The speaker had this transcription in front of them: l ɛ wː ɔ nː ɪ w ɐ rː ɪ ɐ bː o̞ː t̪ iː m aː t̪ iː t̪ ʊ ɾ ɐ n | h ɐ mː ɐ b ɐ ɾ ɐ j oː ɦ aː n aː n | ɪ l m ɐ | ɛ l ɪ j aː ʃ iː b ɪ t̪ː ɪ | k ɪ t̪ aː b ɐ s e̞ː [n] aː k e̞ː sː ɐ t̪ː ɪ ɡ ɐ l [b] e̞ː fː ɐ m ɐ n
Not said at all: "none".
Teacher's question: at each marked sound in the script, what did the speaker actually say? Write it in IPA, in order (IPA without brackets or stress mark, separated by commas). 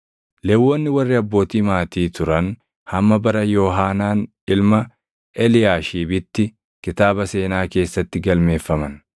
n, m